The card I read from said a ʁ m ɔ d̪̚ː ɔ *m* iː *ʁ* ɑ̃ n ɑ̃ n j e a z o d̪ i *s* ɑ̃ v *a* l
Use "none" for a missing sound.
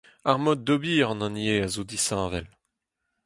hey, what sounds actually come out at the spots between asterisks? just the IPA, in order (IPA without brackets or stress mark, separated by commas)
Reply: b, ʁ, s, ɛ